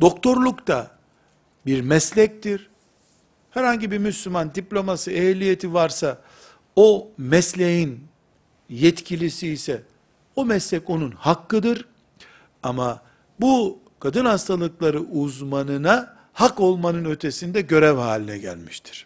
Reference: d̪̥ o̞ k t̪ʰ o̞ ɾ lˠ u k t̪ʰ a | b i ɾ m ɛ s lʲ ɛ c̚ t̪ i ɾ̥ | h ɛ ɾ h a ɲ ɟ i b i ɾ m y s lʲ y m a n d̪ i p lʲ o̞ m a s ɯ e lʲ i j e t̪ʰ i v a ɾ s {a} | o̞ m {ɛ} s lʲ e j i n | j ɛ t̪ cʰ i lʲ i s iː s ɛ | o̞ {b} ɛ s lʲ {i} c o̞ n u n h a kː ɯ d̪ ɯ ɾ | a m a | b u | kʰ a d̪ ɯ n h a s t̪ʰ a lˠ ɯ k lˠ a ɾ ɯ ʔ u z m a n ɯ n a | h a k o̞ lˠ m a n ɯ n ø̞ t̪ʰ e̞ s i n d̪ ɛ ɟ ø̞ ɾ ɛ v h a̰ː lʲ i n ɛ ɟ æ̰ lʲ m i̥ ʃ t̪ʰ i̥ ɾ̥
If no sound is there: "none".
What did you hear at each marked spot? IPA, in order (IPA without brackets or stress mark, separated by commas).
a, ɛ, m, ɛ